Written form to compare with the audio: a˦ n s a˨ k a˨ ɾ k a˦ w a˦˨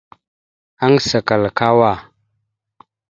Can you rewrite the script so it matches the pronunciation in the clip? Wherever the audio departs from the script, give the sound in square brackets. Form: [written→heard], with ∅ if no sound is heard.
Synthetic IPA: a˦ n s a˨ k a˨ [ɾ→l] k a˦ w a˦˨

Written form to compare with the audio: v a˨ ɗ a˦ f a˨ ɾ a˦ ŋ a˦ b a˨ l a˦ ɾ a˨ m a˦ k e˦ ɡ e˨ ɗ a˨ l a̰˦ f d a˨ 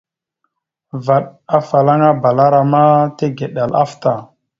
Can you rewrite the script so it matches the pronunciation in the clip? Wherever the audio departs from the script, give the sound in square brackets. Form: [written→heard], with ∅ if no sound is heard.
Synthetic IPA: v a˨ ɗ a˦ f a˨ [ɾ→l] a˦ ŋ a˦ b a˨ l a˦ ɾ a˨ m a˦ [k→t] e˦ ɡ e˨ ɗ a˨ l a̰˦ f [d→t] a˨

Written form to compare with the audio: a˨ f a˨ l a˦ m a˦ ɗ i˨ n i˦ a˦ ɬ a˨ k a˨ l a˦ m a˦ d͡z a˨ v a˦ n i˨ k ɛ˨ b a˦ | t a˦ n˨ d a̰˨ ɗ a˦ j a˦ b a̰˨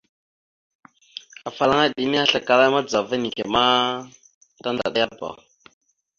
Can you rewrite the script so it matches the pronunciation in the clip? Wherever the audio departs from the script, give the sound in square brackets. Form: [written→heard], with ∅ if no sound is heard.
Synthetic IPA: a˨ f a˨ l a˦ [m→ŋ] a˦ ɗ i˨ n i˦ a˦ ɬ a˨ k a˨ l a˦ m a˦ d͡z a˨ v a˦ n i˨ k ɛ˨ [b→m] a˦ | t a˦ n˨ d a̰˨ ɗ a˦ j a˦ b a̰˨

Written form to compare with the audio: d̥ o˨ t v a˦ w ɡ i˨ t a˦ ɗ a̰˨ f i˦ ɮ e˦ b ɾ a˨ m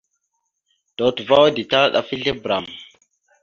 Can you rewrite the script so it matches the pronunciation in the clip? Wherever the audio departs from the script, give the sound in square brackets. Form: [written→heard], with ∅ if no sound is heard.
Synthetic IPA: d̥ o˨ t v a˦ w [ɡ→d] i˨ t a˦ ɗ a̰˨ f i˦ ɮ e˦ b ɾ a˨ m

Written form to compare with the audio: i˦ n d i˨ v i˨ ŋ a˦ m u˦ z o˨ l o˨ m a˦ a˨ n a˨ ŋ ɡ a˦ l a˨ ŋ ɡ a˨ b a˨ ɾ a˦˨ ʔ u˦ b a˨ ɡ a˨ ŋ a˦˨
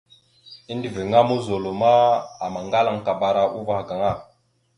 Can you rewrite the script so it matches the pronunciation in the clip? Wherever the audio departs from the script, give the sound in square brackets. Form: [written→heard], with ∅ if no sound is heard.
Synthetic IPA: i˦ n d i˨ v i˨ ŋ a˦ m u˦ z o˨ l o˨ m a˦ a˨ [n→m] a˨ ŋ ɡ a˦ l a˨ ŋ [ɡ→k] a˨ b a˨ ɾ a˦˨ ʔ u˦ [b→v] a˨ ɡ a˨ ŋ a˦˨

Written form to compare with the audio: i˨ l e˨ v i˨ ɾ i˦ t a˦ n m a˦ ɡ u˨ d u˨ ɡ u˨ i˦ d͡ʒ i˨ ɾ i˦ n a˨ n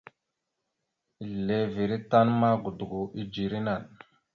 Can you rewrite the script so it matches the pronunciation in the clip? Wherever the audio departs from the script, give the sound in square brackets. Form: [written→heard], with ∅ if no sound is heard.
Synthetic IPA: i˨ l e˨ v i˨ ɾ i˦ t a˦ n m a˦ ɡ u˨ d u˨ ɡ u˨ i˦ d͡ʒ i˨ ɾ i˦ n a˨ n

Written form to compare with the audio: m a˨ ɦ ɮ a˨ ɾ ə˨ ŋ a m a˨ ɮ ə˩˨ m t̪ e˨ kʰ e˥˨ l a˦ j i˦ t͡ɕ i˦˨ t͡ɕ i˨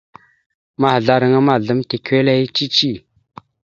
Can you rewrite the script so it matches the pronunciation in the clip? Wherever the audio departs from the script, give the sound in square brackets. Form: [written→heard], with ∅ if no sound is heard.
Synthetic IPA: m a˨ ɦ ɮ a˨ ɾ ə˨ ŋ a m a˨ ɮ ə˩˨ m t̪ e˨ kʰ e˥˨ l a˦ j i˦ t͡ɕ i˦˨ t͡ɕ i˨

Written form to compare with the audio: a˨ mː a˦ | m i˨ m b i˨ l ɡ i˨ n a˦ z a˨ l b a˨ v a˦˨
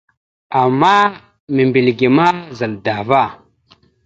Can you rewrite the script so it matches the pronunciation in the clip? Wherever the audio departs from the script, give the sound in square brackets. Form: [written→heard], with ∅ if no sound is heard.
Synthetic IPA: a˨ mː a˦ | m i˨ m b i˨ l ɡ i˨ [n→m] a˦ z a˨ l [b→d] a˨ v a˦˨

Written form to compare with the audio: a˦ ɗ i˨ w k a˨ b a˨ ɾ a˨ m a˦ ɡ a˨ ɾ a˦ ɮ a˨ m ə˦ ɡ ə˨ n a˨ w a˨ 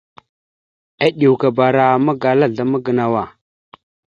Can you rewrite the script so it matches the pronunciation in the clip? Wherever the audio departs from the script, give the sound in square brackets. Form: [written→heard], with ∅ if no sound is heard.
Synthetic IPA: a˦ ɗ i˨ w k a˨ b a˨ ɾ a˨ m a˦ ɡ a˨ [ɾ→l] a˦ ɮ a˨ m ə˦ ɡ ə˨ n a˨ w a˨

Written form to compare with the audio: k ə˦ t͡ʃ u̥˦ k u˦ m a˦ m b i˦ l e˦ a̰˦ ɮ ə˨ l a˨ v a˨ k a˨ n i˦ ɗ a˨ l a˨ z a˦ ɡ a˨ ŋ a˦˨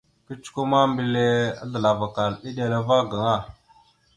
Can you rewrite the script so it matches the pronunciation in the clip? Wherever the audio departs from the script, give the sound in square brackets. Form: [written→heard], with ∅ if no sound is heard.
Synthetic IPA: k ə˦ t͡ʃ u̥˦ k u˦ m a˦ m b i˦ l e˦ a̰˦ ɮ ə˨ l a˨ v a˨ k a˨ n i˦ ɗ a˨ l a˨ [z→v] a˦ ɡ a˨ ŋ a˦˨

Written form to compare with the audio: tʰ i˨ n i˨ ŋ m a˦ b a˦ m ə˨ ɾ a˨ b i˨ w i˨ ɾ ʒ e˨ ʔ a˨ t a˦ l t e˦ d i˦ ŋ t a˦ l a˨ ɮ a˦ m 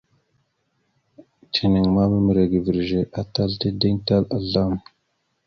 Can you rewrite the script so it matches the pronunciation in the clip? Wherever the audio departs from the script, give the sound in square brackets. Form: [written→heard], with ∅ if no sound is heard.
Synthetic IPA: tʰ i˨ n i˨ ŋ m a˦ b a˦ m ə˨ ɾ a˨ [b→ɡ] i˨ [w→v] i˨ ɾ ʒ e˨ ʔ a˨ t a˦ l t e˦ d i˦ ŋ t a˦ l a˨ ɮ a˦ m

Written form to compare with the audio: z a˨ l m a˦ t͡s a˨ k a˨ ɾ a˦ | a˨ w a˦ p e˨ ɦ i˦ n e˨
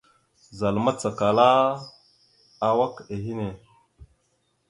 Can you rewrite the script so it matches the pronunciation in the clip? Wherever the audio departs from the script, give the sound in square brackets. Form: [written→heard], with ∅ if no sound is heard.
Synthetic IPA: z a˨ l m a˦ t͡s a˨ k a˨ [ɾ→l] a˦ | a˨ w a˦ [p→k] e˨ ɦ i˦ n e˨

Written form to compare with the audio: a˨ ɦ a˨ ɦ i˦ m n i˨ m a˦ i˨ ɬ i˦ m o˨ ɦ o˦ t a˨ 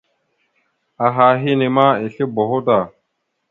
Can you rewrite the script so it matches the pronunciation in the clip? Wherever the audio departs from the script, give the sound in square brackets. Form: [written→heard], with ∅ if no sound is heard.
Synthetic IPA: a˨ ɦ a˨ ɦ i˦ [m→∅] n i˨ m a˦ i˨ ɬ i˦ [m→b] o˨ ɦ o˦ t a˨

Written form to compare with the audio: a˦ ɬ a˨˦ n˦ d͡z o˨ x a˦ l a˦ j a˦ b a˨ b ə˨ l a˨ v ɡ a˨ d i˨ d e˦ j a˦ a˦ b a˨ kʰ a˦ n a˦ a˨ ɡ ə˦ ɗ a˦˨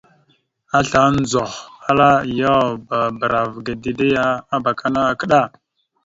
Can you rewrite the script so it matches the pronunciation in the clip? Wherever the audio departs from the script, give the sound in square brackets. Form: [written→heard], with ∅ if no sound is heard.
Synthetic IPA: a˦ ɬ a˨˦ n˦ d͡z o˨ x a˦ l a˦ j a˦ b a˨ b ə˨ [l→ɾ] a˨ v ɡ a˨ d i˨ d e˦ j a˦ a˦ b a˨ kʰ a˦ n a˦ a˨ [ɡ→k] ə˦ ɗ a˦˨

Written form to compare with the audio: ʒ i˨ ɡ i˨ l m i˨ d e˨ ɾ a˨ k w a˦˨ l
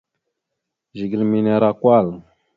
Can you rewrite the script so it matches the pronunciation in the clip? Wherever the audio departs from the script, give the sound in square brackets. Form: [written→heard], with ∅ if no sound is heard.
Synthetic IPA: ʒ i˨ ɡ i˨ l m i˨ [d→n] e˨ ɾ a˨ k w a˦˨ l

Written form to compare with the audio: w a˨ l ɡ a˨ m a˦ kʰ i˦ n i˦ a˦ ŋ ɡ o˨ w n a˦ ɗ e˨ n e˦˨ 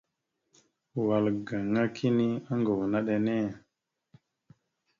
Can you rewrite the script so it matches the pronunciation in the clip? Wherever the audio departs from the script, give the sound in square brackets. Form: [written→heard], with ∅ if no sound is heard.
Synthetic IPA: w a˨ l ɡ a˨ [m→ŋ] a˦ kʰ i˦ n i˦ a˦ ŋ ɡ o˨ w n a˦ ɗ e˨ n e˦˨

